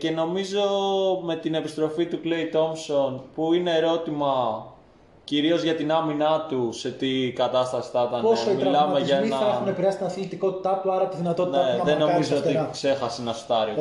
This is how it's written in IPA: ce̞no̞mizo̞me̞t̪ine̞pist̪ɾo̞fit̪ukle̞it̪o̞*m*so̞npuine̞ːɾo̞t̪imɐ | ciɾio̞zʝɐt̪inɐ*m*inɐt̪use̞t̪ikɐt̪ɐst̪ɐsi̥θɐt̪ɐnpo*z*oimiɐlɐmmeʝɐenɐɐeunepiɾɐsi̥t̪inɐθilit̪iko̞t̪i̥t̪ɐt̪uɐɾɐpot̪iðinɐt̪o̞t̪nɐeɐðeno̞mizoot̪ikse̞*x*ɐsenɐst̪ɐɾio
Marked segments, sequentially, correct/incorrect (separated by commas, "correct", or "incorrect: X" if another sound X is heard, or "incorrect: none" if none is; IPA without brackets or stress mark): correct, correct, incorrect: s, correct